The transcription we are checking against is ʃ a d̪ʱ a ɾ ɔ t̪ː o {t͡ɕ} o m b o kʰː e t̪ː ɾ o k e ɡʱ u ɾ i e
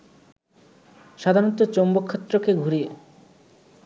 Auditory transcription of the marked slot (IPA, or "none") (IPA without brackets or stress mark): t͡ɕ